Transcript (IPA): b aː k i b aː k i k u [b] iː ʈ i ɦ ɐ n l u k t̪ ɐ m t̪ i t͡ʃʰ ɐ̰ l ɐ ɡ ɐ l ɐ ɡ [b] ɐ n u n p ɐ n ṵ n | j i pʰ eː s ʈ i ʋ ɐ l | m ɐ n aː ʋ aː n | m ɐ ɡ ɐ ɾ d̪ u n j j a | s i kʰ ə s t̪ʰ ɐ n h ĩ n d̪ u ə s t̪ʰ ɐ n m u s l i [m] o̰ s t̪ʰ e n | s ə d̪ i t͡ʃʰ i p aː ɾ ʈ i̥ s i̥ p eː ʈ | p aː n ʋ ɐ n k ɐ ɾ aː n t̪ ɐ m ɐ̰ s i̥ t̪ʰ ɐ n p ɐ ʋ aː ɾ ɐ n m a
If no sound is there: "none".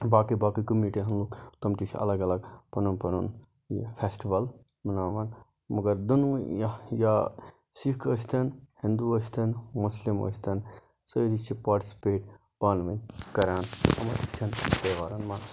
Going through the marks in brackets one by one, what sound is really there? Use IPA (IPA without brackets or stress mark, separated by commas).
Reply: m, p, m